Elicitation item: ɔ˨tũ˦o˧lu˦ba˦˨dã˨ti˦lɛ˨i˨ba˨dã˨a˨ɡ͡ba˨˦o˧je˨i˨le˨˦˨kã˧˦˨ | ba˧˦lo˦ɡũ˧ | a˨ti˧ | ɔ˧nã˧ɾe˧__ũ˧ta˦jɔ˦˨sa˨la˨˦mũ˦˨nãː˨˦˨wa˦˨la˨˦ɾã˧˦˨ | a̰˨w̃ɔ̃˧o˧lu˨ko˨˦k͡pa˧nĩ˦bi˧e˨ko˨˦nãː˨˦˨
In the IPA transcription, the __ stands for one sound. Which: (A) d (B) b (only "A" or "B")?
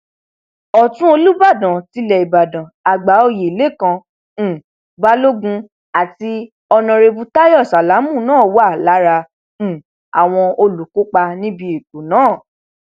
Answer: B